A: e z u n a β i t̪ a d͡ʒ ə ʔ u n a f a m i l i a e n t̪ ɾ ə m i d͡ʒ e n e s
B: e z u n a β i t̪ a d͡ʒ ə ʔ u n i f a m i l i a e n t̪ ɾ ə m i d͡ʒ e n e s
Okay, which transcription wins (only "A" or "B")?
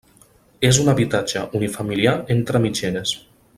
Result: B